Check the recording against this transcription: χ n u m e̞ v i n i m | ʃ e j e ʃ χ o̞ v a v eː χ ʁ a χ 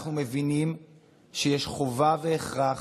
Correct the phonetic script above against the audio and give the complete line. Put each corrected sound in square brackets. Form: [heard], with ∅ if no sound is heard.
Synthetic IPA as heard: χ n u m e̞ v i n i m | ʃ e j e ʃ χ o̞ v a v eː χ ʁ a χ